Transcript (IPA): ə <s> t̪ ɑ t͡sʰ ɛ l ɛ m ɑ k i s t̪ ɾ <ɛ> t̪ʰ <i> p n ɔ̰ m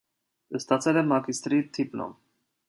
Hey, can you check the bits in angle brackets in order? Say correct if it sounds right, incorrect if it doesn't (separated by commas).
correct, incorrect, correct